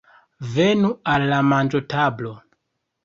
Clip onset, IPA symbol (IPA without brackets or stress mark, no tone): v